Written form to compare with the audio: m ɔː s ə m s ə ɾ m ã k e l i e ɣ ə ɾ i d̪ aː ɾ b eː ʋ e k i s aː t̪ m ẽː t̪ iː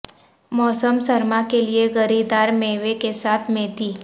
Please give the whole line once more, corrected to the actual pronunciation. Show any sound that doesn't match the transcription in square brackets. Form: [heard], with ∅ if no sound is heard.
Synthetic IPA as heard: m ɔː s ə m s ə ɾ m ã k e l i e ɣ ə ɾ i d̪ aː ɾ [m] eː ʋ e k [e] s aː [t̪ʰ] m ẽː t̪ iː